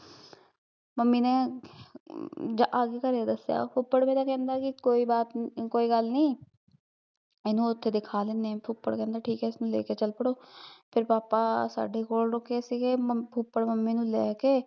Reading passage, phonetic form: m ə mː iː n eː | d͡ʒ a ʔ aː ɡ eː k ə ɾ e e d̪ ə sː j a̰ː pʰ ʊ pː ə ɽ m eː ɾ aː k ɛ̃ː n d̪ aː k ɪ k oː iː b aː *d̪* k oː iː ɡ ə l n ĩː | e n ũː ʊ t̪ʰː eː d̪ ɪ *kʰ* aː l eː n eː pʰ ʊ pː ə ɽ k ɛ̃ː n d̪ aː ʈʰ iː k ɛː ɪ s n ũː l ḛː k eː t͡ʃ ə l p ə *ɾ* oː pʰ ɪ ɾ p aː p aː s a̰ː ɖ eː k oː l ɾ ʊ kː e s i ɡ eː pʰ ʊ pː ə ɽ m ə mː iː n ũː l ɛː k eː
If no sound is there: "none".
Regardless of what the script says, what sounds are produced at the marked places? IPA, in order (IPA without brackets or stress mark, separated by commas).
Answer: t̪, kʰ, ɽ